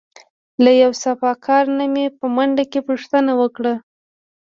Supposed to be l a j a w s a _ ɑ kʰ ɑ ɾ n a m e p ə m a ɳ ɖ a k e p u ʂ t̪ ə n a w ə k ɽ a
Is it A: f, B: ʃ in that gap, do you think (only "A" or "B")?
A